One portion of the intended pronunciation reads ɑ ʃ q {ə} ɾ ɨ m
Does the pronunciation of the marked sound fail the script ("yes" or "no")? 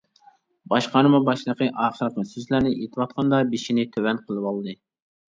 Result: yes